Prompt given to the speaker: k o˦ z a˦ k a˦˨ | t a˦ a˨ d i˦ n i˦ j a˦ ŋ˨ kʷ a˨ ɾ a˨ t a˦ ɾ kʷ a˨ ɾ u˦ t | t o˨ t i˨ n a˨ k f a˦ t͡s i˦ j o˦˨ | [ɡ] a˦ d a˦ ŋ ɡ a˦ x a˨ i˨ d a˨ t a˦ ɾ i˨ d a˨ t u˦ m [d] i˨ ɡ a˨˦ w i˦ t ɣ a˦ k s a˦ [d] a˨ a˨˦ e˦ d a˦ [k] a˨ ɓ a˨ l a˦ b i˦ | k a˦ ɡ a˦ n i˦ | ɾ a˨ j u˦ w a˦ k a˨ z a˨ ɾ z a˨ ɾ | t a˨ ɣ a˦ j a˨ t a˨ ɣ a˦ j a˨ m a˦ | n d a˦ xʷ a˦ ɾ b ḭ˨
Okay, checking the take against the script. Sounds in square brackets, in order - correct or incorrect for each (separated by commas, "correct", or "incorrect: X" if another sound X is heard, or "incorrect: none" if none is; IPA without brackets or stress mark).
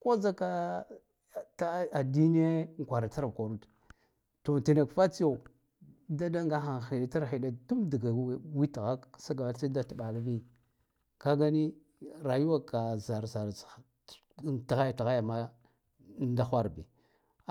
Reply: incorrect: d, correct, incorrect: ɡ, incorrect: t